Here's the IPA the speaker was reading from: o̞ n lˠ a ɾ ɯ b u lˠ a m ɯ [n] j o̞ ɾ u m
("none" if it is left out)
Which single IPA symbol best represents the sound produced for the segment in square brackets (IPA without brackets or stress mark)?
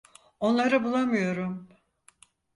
none